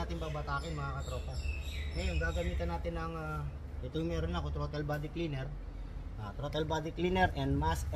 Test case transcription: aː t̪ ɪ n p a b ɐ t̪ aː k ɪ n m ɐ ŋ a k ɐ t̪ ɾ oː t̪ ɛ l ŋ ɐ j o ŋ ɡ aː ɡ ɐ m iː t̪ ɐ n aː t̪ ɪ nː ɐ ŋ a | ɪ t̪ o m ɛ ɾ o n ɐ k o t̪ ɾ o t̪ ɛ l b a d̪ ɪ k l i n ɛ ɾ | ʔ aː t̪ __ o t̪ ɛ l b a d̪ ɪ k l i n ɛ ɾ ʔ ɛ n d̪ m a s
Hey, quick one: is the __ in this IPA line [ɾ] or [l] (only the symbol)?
ɾ